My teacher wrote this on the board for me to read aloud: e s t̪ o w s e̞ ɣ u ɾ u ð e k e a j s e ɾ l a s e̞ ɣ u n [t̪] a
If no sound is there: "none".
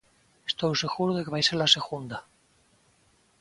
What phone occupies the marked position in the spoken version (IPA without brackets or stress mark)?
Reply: d̪